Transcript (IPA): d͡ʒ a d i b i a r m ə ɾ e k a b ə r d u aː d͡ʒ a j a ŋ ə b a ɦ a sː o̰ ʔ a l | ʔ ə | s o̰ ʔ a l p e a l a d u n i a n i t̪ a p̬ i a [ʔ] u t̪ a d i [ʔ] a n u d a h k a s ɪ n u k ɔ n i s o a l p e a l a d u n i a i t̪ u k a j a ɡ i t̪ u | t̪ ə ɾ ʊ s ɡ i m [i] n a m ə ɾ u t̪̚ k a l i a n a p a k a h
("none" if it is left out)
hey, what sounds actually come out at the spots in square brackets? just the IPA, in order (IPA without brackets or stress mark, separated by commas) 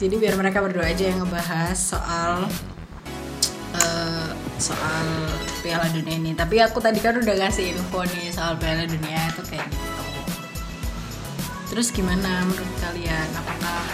k, k, a